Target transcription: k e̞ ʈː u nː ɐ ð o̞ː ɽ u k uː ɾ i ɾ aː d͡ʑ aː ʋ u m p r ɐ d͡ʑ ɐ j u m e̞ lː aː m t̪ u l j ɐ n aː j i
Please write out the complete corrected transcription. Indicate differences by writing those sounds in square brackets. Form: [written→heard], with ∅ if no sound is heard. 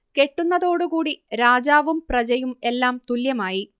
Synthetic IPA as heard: k e̞ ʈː u nː ɐ ð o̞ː ɽ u k uː [ɾ→ɽ] i ɾ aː d͡ʑ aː ʋ u m p r ɐ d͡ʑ ɐ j u m e̞ lː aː m t̪ u l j ɐ [n→m] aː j i